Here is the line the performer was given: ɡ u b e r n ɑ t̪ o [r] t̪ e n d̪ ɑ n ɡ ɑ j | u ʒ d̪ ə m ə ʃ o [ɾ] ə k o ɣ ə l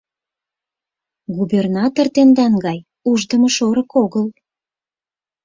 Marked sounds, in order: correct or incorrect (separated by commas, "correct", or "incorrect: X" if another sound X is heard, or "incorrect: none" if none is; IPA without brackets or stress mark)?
correct, correct